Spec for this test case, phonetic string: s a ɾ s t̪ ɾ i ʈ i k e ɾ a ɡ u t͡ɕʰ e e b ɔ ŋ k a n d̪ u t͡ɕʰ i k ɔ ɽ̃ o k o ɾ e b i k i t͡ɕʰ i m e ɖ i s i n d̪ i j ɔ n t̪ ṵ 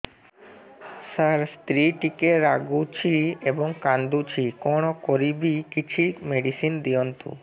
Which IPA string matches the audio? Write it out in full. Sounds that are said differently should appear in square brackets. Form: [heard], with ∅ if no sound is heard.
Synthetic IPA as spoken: s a ɾ s t̪ ɾ i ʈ i k e ɾ a ɡ u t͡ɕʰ [i] e b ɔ ŋ k a n d̪ u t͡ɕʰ i k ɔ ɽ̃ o k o ɾ [i] b i k i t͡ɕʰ i m e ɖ i s i n d̪ i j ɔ n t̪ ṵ